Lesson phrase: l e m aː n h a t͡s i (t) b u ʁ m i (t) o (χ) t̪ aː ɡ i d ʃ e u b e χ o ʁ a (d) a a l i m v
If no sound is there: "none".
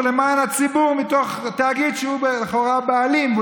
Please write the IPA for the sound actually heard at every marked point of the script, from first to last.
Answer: none, t, χ, b

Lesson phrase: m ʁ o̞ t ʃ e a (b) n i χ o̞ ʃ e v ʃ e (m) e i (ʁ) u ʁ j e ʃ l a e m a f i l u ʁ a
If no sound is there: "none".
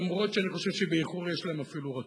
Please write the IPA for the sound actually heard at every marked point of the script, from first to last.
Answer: none, b, χ

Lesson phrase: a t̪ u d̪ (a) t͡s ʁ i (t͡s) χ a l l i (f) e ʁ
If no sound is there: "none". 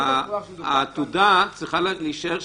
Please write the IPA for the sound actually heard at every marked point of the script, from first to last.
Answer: a, none, ʃ

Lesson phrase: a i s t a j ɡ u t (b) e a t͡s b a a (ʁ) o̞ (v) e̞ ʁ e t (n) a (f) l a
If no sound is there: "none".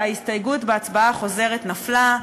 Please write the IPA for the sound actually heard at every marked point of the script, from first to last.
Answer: b, χ, z, n, f

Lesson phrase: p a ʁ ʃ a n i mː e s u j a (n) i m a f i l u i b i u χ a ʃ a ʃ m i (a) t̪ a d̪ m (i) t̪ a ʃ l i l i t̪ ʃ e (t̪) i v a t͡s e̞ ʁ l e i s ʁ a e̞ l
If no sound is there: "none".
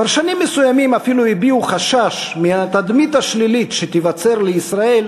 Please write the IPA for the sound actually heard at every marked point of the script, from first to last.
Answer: m, a, i, t̪

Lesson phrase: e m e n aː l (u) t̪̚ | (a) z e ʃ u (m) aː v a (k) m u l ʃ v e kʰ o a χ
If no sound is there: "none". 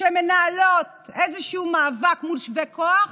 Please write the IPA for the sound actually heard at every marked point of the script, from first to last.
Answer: o, e, m, k

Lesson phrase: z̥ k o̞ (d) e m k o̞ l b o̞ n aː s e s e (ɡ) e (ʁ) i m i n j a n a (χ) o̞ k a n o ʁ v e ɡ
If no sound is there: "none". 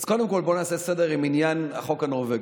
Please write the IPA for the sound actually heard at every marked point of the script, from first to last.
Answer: d, d, ʁ, χ

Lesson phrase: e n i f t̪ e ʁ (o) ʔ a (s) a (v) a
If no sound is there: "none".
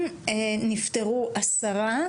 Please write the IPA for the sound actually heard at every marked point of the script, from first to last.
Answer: u, s, ʁ

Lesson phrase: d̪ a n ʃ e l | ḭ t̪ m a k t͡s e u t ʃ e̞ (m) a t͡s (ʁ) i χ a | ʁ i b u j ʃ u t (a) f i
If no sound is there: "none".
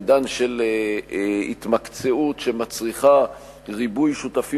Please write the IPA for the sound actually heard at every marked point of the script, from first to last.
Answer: m, ʁ, a

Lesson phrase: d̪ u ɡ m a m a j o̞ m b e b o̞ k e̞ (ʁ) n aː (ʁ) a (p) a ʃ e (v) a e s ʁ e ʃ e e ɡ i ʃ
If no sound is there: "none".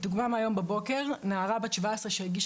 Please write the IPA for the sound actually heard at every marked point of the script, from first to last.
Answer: ʁ, ʁ, b, v

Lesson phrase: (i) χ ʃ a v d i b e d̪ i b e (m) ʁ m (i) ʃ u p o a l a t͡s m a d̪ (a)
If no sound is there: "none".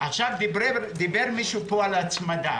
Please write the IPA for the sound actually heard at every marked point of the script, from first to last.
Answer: a, none, i, a

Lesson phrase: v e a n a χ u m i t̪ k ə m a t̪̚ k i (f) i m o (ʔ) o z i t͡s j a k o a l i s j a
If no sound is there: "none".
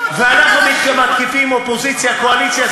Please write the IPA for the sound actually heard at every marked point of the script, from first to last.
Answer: f, p

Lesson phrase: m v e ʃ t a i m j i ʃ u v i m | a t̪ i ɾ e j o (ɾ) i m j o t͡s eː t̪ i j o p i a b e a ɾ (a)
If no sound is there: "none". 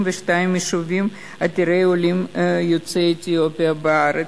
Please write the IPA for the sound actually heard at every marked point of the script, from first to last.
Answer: l, e

